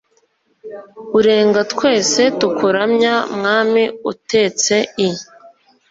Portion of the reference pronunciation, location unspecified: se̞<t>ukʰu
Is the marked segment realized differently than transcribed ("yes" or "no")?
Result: no